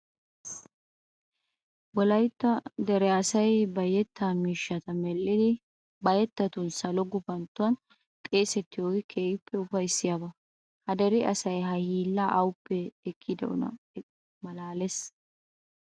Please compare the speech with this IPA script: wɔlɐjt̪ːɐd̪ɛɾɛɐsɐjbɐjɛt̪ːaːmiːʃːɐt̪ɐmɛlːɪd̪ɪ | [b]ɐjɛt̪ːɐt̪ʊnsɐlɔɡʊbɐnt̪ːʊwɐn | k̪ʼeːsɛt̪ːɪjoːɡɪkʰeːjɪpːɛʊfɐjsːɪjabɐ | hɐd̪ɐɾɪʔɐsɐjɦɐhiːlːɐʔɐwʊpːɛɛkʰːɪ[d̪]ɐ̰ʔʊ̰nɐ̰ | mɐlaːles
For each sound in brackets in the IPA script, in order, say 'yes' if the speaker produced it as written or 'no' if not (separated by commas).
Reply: yes, yes